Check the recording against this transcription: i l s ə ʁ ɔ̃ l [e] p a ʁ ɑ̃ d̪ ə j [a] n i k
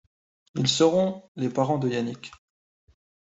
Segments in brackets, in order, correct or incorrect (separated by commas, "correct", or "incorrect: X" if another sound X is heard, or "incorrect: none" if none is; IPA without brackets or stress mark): correct, correct